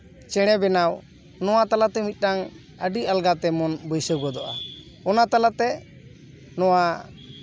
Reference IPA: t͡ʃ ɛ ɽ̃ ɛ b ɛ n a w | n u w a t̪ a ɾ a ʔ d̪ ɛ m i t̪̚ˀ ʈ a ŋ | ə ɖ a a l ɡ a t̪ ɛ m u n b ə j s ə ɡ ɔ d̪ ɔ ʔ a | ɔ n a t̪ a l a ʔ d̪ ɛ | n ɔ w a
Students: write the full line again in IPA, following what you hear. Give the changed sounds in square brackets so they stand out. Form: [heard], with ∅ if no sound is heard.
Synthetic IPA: t͡ʃ ɛ ɽ̃ ɛ b ɛ n a w | n [ɔ] w a t̪ a [l] a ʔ [t̪] ɛ m i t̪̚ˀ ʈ a ŋ | ə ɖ [i] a l ɡ a t̪ ɛ m [ɔ] n b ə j s ə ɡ ɔ d̪ ɔ ʔ a | ɔ n a t̪ a l a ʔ [t̪] ɛ | n ɔ w a